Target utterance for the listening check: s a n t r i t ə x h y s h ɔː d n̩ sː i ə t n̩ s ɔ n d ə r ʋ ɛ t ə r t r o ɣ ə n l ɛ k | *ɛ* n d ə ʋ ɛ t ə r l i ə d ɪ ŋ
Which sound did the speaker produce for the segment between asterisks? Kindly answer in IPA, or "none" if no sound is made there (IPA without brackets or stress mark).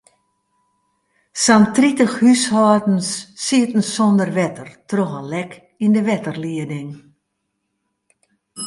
i